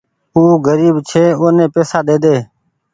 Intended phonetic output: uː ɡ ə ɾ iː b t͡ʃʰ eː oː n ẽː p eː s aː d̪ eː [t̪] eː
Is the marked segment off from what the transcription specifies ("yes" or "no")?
yes